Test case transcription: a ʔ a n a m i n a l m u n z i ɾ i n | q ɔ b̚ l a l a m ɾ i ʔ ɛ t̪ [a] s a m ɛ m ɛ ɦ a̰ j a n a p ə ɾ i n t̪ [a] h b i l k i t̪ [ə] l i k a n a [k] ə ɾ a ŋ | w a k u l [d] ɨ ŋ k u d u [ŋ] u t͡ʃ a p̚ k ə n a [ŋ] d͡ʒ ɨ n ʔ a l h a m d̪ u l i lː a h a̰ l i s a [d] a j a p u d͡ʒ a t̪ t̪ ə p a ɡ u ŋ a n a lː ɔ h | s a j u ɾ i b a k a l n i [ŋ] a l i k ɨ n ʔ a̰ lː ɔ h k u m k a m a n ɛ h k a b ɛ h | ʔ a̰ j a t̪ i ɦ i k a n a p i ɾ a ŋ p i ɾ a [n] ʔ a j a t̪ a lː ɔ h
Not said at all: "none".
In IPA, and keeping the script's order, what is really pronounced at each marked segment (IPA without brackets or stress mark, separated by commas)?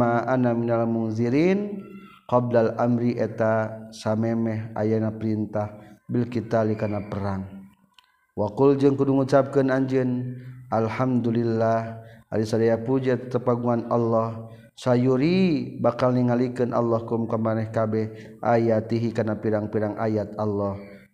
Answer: a, a, a, p, d͡ʒ, ŋ, ɲ, d, ŋ, ŋ